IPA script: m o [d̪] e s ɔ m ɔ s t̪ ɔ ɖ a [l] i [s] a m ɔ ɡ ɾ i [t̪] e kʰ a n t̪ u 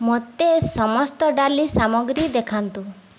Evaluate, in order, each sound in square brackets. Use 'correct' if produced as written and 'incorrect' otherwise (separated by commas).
incorrect, correct, correct, incorrect